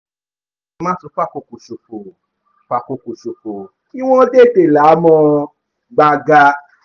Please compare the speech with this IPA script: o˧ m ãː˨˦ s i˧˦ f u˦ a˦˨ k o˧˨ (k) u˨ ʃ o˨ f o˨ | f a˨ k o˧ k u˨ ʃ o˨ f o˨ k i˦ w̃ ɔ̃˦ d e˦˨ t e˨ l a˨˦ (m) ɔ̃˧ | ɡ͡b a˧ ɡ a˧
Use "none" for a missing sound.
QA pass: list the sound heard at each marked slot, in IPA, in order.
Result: k, m

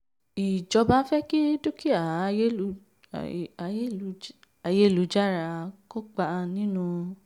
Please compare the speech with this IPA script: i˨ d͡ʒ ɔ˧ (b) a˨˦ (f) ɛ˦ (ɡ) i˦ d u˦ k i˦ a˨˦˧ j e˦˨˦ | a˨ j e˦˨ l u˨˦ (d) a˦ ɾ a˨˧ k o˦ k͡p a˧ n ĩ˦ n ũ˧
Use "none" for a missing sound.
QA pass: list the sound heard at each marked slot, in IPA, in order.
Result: b, f, k, d͡ʒ

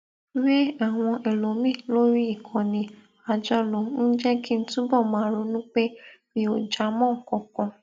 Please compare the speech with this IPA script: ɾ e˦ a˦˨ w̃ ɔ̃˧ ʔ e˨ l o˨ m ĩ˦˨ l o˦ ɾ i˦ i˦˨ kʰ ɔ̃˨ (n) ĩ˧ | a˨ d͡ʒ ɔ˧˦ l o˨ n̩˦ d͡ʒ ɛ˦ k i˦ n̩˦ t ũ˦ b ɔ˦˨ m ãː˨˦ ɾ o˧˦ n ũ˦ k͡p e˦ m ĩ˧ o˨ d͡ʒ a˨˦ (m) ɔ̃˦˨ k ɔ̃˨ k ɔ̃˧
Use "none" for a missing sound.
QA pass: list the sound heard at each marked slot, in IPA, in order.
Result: n, m

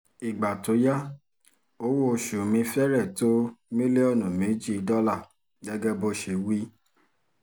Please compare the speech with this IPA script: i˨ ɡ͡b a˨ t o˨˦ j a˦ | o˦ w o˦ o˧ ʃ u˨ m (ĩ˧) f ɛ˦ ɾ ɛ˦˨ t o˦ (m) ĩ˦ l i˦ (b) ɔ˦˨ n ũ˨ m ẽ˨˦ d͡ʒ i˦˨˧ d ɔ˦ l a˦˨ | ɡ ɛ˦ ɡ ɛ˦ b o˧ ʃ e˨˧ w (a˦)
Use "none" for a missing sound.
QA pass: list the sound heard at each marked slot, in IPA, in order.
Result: ĩ˧, m, none, i˦

